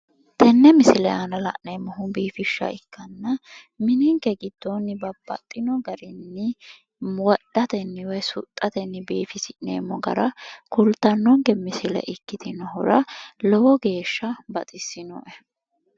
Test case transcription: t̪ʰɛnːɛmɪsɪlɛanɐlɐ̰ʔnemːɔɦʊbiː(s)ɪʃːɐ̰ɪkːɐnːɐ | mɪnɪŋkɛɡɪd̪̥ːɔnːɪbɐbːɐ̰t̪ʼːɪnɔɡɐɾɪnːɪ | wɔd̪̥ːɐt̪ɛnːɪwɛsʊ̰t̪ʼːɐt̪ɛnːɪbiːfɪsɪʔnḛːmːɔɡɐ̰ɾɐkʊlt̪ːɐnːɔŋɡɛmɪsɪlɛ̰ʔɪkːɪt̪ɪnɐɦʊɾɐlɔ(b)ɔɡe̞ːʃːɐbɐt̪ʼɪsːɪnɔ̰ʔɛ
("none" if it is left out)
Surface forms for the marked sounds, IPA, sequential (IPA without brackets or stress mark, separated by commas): f, w